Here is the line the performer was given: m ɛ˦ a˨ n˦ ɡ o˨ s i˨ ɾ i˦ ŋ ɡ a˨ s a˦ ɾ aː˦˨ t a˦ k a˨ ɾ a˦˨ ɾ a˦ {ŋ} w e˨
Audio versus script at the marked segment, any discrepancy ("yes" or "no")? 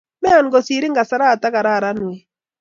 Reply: yes